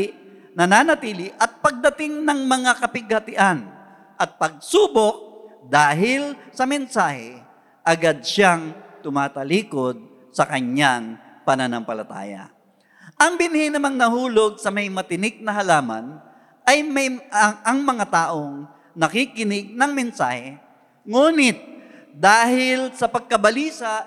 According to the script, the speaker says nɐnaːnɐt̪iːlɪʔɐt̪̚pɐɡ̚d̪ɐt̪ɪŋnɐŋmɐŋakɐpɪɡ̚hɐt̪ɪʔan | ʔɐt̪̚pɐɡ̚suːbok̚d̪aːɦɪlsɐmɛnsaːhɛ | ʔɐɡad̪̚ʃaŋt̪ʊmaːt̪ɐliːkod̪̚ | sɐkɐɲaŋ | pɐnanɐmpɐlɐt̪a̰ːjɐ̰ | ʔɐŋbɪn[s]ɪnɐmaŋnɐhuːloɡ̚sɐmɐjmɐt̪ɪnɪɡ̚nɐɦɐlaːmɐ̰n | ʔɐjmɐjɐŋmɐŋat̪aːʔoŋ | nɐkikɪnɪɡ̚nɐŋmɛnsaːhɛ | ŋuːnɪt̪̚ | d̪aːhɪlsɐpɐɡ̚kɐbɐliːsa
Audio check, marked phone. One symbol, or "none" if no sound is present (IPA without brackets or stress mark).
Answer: h